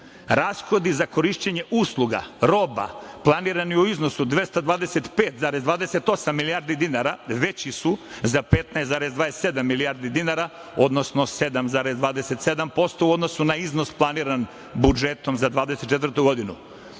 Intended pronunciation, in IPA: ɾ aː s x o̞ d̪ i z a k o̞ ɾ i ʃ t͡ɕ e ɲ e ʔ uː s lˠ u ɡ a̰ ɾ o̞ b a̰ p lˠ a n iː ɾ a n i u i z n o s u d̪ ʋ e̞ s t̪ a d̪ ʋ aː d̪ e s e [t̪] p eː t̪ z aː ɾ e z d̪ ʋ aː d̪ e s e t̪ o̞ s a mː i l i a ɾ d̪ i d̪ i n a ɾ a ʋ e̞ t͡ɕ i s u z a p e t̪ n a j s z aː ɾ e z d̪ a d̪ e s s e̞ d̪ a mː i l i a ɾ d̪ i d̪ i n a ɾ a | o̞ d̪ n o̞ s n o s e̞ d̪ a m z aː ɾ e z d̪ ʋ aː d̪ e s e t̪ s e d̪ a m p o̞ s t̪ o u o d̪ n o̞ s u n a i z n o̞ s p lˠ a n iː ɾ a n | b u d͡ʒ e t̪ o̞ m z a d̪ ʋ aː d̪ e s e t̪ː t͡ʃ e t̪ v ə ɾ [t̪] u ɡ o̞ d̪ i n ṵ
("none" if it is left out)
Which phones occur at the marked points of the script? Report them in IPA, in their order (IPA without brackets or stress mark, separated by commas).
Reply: t̪, t̪